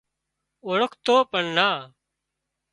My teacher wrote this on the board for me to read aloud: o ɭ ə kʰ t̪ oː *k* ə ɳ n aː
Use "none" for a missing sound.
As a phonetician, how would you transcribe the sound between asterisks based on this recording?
p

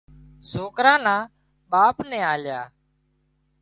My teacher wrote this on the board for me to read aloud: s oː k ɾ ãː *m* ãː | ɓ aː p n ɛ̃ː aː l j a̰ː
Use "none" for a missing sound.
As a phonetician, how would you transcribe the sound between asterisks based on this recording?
n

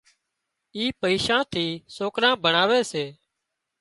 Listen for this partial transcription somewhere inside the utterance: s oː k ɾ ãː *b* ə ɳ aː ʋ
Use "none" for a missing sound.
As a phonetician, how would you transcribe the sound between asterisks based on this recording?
b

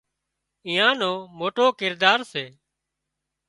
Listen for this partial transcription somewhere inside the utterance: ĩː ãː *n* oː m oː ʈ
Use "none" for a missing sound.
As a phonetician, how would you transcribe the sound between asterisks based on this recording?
n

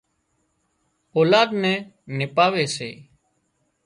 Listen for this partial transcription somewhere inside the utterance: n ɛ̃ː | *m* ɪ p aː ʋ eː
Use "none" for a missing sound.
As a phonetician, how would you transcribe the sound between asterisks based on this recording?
n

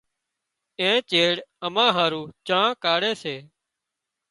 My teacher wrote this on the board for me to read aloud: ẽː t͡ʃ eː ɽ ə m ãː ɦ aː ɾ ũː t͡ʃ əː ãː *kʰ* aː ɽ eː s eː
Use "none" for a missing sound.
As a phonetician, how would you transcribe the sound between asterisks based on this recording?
k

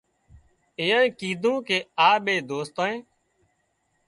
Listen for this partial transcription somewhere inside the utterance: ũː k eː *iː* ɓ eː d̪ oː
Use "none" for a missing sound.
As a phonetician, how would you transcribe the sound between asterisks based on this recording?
aː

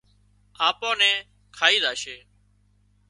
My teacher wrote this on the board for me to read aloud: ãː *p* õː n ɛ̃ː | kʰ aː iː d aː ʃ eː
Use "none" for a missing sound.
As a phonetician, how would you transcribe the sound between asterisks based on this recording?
p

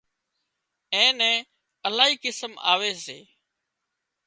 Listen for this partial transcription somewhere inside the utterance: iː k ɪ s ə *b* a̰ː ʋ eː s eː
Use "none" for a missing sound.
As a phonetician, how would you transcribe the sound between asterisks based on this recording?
m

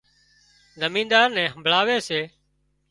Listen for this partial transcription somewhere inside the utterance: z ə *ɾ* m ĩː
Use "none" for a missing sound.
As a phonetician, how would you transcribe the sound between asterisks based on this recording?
none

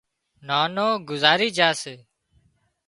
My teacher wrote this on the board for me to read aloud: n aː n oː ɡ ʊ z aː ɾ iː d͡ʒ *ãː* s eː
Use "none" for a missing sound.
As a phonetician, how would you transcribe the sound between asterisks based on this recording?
aː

